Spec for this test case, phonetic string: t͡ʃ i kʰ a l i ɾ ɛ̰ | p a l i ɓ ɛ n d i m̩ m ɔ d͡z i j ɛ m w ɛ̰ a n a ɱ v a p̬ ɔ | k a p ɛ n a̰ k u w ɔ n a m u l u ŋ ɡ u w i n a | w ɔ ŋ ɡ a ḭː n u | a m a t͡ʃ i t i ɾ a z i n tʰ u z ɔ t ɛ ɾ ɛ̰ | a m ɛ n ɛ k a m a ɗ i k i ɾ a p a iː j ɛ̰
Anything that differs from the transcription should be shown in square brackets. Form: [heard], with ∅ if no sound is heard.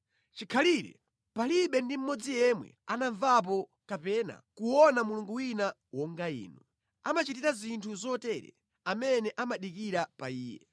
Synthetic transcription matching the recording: t͡ʃ i kʰ a l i ɾ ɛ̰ | p a l i ɓ ɛ n d i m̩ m ɔ d͡z i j ɛ m w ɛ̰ a n a ɱ v a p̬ ɔ | k a p ɛ n a̰ k u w ɔ n a m u l u ŋ ɡ u w i n a | w ɔ ŋ ɡ a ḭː n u | a m a t͡ʃ i t i ɾ a z i n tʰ u z ɔ t ɛ ɾ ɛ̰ | a m ɛ n ɛ [ʔ] a m a ɗ i k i ɾ a p a iː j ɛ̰